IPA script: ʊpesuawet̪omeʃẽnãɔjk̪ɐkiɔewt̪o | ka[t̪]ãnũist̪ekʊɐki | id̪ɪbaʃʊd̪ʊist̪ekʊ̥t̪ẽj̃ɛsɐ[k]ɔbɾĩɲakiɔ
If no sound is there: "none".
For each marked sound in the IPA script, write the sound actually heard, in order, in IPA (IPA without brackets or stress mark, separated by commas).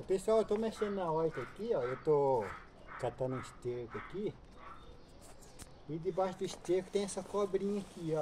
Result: t̪, k